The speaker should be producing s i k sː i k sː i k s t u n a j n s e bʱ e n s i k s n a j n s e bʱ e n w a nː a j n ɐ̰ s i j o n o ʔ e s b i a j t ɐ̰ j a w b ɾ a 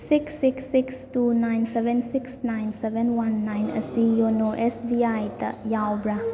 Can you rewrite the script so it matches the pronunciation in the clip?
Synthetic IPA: s i k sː i k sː i k s t u n a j n s e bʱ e n s i k s n a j n s e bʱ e n w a nː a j n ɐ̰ s i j o n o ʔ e s b i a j t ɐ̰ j a w b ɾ a